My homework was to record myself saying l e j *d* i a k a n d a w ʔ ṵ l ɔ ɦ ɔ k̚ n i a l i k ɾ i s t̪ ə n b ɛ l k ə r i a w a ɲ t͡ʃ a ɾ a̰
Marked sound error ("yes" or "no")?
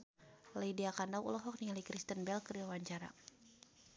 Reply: no